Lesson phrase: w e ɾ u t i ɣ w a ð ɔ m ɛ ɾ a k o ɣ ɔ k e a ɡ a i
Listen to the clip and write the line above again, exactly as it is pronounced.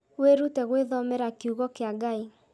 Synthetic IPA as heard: w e ɾ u t ɛ ɣ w e ð ɔ m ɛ ɾ a k u ɣ ɔ k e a ɡ a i